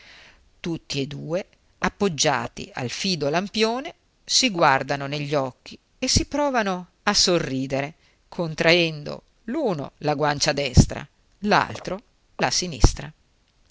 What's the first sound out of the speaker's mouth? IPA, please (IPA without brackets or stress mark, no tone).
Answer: t̪